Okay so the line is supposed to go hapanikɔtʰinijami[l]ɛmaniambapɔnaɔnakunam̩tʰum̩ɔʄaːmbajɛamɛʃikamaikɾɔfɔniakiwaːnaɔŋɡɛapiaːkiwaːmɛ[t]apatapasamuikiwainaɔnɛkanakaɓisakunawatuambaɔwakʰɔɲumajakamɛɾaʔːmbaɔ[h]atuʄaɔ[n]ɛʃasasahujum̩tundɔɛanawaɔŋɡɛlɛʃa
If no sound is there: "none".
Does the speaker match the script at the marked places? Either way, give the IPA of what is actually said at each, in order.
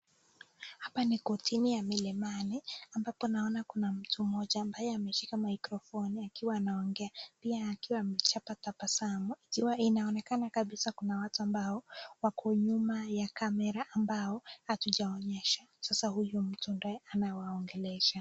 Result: l, t͡ʃ, h, ɲ

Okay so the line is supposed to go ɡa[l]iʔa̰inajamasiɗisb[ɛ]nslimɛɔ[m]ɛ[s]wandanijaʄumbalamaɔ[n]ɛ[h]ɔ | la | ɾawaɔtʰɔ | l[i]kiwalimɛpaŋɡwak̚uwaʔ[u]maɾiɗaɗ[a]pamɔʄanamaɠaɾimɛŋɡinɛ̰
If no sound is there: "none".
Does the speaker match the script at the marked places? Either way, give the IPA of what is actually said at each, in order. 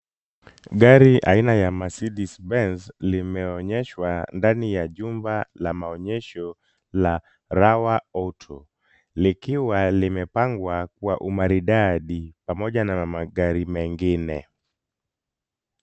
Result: ɾ, ɛ, ɲ, ʃ, ɲ, ʃ, i, u, i

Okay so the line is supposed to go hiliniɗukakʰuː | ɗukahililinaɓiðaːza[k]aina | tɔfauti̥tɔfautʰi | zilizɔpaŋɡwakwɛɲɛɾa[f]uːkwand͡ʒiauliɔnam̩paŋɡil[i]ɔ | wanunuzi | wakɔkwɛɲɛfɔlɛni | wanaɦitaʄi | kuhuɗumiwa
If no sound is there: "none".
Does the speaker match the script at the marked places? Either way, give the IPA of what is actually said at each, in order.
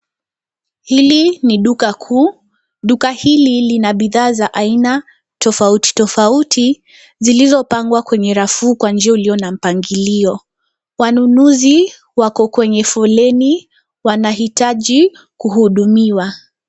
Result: ʔ, f, i

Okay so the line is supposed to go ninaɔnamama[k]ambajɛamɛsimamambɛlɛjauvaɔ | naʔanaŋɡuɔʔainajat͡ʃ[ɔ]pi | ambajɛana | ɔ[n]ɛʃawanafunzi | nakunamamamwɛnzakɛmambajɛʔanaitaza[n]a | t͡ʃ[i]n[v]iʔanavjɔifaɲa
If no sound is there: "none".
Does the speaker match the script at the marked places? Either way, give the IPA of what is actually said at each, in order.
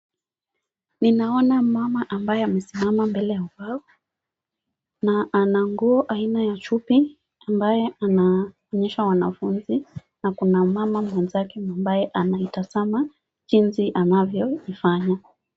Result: ʔ, u, ɲ, m, i, z

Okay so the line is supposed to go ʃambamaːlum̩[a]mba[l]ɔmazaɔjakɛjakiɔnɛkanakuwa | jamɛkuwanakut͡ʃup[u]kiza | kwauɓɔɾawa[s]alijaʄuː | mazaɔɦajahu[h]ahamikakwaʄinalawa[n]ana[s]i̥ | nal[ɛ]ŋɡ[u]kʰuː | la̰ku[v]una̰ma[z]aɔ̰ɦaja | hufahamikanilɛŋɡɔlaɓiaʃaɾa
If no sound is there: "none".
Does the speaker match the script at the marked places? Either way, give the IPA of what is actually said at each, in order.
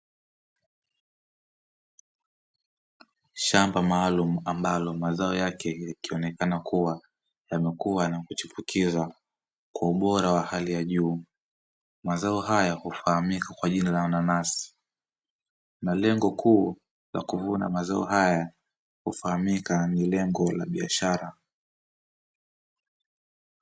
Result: a, l, u, h, f, n, s, ɛ, ɔ, v, z

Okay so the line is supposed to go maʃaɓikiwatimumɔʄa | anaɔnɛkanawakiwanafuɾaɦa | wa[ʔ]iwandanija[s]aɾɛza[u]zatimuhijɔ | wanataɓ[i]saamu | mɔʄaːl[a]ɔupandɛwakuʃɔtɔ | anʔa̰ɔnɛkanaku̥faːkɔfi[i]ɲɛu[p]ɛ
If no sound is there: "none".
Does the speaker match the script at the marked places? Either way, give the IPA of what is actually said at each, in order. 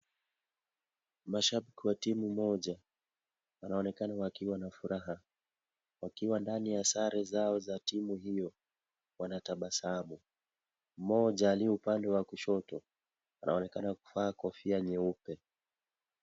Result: k, s, ɔ, a, i, a, p

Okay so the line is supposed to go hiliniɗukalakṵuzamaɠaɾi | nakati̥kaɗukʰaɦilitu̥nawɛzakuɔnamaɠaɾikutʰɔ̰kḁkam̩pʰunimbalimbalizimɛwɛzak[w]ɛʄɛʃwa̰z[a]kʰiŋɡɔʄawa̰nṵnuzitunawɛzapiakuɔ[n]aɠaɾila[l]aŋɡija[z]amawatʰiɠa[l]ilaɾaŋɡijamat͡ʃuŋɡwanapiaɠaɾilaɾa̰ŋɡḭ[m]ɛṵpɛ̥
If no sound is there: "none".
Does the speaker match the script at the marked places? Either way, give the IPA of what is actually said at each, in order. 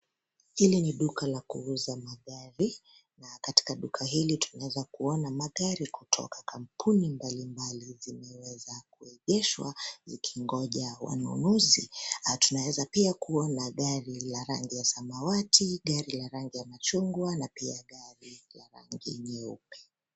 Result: u, i, n, ɾ, s, ɾ, ɲ

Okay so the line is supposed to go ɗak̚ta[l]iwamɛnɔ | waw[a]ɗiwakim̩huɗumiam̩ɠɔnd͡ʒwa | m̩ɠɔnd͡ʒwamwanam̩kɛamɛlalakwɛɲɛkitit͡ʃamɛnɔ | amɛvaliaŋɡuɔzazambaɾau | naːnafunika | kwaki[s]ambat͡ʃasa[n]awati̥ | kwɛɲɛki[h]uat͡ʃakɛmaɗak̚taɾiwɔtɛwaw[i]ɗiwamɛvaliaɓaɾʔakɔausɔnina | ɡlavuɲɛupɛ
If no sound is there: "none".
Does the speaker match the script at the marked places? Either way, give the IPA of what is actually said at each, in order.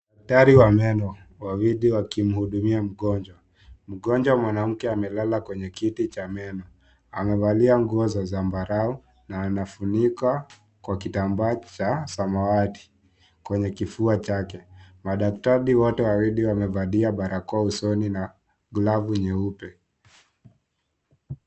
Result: ɾ, i, t, m, f, i

